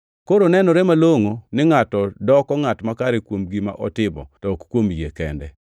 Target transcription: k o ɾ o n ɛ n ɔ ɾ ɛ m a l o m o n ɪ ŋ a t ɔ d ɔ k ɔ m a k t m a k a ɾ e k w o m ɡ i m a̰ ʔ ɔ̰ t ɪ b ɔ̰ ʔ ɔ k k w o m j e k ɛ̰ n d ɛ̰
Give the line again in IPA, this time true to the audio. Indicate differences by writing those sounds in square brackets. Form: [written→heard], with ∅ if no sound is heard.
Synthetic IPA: k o ɾ o n ɛ n ɔ ɾ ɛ m a l o [m→ŋ] o n ɪ ŋ a t ɔ d ɔ k ɔ [m→ŋ] a [k→∅] t m a k a ɾ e k w o m ɡ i m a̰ ʔ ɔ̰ t ɪ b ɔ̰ [ʔ→t] ɔ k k w o m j e k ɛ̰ n d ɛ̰